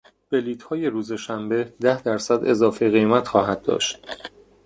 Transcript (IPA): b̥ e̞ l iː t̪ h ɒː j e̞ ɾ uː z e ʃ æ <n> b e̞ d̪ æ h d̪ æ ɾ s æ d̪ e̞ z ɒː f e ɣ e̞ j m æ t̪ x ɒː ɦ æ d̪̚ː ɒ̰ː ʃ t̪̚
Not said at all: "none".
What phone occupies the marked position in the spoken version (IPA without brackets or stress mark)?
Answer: m